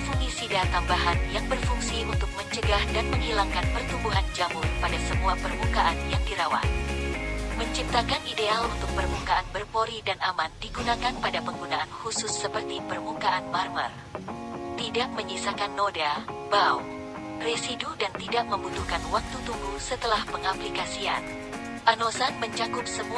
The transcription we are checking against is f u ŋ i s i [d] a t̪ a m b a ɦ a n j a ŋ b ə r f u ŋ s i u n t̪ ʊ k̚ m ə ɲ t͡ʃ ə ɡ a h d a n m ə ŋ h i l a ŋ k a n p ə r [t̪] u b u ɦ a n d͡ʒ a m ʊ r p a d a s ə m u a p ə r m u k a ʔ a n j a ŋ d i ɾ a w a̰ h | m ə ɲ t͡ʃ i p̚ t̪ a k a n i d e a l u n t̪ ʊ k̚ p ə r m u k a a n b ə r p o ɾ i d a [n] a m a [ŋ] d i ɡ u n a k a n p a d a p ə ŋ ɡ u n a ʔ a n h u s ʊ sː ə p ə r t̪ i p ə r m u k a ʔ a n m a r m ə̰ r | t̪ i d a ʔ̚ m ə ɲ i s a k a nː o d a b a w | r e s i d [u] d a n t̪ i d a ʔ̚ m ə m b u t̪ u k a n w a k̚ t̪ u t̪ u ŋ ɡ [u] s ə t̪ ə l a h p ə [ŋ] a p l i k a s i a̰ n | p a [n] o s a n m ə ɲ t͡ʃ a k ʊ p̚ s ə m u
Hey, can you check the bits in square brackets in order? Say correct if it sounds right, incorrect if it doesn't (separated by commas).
correct, correct, correct, incorrect, correct, correct, correct, correct